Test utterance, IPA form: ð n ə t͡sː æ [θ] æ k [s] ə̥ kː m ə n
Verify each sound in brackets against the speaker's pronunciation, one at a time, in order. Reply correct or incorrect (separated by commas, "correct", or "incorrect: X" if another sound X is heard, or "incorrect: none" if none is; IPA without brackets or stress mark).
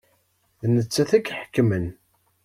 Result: correct, incorrect: ħ